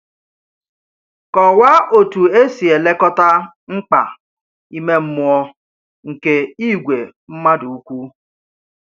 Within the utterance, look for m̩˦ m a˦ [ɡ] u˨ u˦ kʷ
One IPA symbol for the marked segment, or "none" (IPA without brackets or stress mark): d